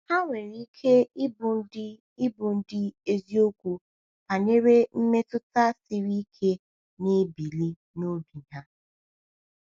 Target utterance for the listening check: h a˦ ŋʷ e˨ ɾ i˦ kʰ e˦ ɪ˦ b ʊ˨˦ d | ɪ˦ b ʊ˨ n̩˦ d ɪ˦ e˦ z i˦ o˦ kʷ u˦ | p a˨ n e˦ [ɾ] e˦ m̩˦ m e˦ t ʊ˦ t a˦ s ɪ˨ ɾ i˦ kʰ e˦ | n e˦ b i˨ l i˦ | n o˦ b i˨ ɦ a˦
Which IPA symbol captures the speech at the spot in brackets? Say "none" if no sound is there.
ɾ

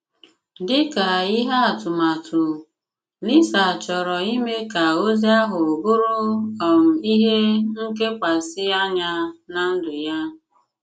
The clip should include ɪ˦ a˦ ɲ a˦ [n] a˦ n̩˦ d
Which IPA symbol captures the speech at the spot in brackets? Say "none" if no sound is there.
n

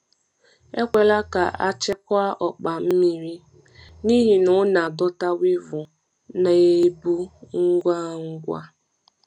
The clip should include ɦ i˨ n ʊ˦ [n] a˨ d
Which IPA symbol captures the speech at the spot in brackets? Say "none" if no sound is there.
n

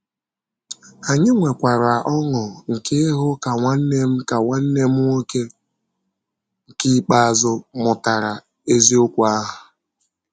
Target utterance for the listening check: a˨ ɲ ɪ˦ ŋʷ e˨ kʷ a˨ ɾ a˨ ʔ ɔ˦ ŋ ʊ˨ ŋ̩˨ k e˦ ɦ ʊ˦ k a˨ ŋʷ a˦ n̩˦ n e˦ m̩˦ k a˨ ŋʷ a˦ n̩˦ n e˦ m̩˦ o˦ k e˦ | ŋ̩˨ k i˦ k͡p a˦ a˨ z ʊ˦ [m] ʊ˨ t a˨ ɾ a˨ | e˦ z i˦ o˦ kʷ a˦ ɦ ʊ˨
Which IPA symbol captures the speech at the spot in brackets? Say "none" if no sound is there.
m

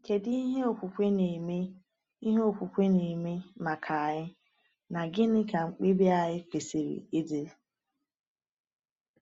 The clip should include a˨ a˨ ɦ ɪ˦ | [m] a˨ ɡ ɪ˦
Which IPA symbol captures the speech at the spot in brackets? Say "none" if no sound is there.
n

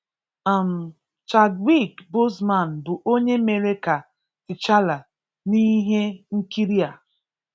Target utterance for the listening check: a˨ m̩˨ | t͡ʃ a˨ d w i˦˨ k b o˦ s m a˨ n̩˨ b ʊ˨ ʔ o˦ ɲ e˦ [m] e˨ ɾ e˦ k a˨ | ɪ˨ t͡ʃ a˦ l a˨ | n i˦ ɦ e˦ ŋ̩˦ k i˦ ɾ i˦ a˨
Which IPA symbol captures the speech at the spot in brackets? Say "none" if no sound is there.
m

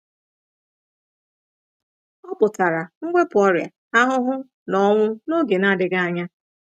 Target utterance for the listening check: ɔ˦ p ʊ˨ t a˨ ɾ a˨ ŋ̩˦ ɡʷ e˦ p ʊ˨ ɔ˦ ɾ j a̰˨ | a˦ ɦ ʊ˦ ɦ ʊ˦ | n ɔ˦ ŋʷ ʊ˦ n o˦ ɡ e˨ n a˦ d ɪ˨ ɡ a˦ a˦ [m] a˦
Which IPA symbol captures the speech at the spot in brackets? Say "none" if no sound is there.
ɲ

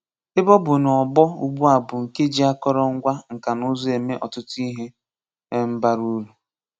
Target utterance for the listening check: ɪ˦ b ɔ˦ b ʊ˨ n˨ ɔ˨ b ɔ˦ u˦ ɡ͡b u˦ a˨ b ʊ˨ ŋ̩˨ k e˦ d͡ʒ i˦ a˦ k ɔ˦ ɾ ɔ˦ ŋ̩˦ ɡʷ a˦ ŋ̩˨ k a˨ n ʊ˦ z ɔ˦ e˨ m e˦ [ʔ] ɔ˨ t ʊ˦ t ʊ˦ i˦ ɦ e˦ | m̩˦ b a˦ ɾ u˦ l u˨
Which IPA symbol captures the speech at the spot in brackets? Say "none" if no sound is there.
ʔ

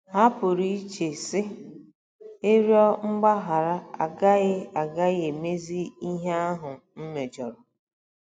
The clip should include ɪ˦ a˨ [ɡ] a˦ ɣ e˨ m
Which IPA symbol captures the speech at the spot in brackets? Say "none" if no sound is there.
ɡ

